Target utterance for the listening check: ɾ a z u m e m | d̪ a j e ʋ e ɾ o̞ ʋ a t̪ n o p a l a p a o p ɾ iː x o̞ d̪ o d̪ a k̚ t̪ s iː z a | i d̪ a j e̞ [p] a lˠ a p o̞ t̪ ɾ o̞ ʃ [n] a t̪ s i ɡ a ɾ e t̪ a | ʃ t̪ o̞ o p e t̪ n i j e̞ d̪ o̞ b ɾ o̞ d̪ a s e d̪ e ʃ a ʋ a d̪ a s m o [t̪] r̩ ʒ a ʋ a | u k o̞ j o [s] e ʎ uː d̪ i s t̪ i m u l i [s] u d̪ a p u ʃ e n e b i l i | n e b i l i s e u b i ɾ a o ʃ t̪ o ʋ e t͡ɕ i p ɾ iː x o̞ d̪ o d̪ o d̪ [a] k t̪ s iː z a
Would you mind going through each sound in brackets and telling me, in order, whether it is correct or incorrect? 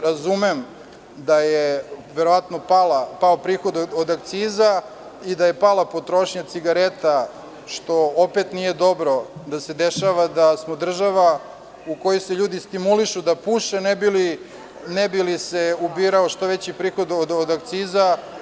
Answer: correct, incorrect: ɲ, incorrect: d̪, correct, incorrect: ʃ, correct

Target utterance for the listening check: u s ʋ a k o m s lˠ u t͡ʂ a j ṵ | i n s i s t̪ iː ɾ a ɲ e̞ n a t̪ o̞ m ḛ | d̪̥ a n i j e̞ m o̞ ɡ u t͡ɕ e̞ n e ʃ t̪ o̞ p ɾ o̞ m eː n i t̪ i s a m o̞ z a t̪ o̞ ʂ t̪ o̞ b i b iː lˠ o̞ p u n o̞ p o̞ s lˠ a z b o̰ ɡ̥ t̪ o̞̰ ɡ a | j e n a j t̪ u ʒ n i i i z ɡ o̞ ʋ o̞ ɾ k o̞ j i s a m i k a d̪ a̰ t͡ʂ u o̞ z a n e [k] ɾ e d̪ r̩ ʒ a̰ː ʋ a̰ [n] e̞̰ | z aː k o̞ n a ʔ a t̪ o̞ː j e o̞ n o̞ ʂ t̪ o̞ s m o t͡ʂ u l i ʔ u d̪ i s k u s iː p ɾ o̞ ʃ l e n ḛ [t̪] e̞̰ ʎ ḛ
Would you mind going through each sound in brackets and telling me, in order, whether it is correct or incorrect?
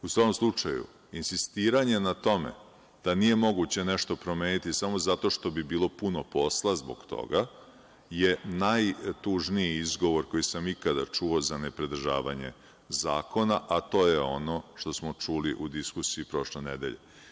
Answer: incorrect: p, incorrect: ɲ, incorrect: d̪

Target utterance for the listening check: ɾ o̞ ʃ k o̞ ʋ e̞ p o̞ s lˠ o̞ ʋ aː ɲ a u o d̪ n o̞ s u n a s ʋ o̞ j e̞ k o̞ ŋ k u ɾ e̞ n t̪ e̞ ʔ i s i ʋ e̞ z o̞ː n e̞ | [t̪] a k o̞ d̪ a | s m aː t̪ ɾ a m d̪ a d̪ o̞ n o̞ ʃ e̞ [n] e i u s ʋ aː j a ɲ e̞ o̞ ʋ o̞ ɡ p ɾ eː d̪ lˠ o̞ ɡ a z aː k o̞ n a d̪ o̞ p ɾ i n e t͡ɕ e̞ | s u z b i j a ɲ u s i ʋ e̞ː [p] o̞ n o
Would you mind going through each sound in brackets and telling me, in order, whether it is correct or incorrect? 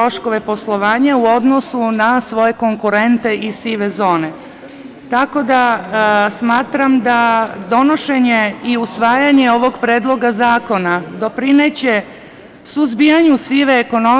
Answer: correct, incorrect: ɲ, incorrect: k

